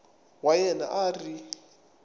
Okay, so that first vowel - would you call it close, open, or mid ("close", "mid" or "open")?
open